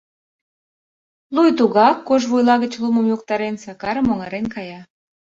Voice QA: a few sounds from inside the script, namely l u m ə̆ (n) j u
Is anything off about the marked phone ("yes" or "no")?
yes